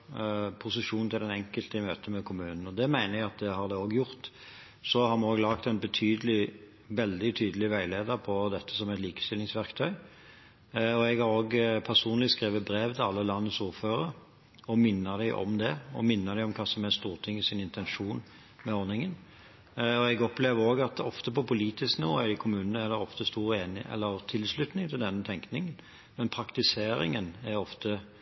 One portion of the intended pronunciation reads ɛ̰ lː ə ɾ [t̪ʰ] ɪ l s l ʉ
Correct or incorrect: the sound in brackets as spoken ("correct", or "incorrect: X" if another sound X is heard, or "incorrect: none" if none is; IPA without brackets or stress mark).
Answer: correct